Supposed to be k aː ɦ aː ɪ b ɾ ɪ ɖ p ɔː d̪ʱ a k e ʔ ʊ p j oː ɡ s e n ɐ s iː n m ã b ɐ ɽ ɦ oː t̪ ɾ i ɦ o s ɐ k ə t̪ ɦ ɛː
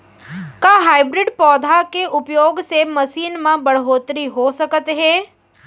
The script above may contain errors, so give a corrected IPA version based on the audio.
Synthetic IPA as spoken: k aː ɦ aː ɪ b ɾ ɪ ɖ p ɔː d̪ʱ a k e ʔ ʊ p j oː ɡ s e m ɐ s iː n m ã b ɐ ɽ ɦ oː t̪ ɾ i ɦ o s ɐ k ə t̪ ɦ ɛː